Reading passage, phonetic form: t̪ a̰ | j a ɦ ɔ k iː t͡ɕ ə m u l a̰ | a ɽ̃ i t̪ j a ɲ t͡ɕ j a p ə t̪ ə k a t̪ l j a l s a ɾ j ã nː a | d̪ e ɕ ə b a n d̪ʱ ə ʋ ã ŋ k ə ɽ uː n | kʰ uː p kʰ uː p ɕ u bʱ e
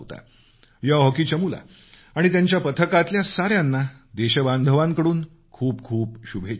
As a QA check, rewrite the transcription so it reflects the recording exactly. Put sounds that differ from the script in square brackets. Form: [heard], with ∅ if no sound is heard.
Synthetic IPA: t̪ a̰ | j a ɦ ɔ k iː t͡ɕ ə m u l a̰ | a ɽ̃ i t̪ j a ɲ t͡ɕ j a p ə [t̪ʰ] ə k a t̪ l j a [∅] s a ɾ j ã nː a | d̪ e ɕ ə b a n d̪ʱ ə ʋ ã ŋ k ə ɽ uː n | kʰ uː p kʰ uː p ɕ u bʱ e